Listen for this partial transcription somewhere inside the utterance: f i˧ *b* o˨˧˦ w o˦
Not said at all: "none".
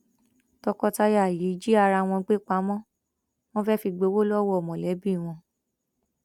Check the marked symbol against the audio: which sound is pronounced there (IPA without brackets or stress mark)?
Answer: ɡ͡b